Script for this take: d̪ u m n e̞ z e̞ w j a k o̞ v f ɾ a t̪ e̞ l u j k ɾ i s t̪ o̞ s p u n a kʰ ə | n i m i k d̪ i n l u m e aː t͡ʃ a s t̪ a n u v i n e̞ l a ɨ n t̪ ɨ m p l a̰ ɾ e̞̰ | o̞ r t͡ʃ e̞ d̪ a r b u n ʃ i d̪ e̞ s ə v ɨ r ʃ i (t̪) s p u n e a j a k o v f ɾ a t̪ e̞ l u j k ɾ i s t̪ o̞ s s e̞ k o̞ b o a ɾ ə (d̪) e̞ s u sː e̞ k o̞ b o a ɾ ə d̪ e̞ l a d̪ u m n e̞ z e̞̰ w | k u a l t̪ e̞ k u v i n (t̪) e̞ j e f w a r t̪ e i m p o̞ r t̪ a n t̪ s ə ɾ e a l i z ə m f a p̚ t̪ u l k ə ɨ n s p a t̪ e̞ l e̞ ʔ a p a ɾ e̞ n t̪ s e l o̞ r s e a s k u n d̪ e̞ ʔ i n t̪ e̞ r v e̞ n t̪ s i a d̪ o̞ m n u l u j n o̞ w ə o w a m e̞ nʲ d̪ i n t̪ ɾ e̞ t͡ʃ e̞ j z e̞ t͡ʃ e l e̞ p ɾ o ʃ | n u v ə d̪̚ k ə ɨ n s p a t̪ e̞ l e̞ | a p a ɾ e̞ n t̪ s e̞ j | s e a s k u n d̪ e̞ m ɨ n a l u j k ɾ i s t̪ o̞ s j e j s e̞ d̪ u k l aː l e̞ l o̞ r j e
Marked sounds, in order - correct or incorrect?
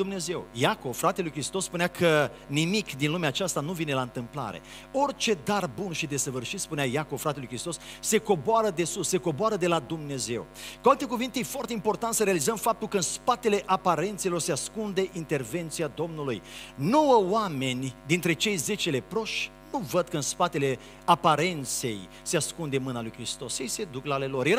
correct, correct, correct

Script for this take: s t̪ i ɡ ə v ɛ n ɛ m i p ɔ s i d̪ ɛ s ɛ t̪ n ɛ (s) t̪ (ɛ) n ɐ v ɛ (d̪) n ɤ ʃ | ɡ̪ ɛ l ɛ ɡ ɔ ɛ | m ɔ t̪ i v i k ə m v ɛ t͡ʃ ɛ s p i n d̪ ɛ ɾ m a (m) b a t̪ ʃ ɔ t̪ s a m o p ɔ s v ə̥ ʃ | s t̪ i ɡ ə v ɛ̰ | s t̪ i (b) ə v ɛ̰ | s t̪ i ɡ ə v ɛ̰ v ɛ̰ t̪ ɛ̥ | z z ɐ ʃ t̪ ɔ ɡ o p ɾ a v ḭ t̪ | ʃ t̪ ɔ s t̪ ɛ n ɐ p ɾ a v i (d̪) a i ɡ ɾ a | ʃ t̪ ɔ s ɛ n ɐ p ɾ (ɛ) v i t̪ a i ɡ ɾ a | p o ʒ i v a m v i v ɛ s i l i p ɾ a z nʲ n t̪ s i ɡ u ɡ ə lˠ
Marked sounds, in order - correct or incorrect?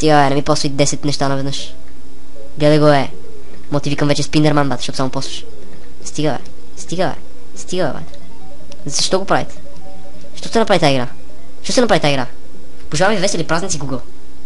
incorrect: ʃ, incorrect: a, correct, incorrect: n, incorrect: ɡ, incorrect: t̪, incorrect: a

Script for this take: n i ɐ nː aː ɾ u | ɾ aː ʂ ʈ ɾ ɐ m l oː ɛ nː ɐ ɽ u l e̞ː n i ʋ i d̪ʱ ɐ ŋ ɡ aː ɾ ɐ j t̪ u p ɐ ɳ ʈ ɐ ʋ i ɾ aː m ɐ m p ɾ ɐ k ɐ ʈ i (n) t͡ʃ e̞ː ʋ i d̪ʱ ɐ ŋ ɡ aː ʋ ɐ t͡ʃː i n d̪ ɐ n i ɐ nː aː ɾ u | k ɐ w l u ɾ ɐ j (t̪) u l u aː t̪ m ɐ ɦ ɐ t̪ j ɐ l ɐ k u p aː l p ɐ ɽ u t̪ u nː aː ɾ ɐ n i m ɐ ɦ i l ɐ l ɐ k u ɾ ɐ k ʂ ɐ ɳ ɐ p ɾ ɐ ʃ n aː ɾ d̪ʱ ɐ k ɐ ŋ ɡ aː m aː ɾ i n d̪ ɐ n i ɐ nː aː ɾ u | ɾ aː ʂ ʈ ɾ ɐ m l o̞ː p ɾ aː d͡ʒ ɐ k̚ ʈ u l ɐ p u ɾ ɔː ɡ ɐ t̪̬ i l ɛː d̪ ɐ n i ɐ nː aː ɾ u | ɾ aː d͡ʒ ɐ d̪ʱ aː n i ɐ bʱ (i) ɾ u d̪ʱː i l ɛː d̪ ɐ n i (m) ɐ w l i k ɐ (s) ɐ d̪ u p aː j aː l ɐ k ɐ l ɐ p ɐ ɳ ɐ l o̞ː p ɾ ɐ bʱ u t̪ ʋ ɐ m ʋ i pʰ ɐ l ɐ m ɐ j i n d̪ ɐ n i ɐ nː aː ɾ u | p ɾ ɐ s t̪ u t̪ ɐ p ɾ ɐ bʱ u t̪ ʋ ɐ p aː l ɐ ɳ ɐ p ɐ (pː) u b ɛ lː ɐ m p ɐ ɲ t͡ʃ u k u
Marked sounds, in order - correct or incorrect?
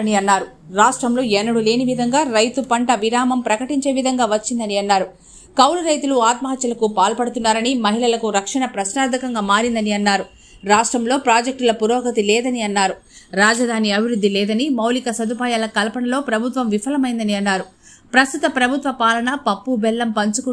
incorrect: ɲ, correct, correct, correct, correct, correct

